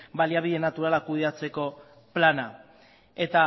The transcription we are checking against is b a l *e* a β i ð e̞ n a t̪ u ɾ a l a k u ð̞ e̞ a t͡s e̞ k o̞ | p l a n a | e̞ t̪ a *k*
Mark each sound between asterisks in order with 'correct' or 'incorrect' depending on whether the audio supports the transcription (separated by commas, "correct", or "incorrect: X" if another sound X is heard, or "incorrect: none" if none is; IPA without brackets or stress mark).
incorrect: i, incorrect: none